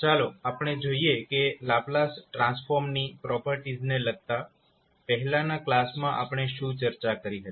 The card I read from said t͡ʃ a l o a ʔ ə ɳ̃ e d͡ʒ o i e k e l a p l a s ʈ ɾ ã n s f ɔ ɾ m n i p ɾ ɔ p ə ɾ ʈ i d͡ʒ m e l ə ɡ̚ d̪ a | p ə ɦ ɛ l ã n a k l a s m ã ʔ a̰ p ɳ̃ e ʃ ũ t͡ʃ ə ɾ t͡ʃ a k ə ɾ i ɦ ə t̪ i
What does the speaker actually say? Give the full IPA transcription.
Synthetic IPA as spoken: t͡ʃ a l o a p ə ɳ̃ e d͡ʒ o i e k e l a p l a s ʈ ɾ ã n s f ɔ ɾ m n i p ɾ ɔ p ə ɾ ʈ i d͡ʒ n e l ə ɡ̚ t̪ a | p ə ɦ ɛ l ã n a k l a s m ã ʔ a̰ p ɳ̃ e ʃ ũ t͡ʃ ə ɾ t͡ʃ a k ə ɾ i ɦ ə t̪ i